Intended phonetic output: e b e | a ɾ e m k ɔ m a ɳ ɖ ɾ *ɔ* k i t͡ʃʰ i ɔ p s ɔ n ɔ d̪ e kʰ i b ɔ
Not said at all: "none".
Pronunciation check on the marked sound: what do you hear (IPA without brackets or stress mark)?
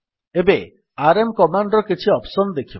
ɔ